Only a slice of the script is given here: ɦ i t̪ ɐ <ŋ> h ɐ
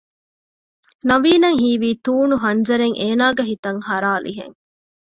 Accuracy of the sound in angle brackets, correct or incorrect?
correct